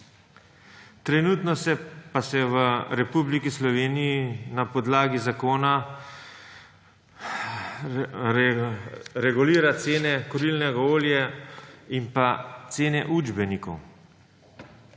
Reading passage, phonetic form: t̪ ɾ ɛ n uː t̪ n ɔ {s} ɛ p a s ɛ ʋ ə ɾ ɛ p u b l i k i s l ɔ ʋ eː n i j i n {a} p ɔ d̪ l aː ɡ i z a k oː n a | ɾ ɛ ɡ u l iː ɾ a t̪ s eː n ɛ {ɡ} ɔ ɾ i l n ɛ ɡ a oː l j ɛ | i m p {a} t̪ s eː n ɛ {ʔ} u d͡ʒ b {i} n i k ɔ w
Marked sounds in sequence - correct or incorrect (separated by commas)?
correct, correct, incorrect, correct, correct, incorrect